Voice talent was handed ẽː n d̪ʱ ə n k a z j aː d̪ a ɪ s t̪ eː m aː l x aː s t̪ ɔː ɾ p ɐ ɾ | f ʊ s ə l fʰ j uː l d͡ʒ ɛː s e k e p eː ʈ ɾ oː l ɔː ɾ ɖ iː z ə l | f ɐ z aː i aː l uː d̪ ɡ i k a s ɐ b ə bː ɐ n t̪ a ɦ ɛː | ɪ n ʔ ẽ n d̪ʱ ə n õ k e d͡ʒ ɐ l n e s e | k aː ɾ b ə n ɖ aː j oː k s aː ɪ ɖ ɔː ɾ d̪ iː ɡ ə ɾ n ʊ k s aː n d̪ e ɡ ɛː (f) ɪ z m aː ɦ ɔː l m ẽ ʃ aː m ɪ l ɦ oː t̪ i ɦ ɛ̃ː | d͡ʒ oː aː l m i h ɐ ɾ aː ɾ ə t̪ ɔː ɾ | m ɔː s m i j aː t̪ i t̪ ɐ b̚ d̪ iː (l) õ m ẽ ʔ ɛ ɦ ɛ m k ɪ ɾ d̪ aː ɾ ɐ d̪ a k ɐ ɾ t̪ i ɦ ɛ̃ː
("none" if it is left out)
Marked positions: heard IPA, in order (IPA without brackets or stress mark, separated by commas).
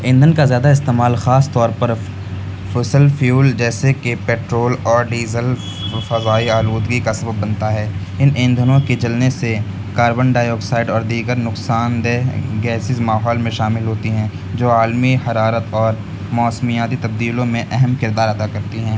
s, l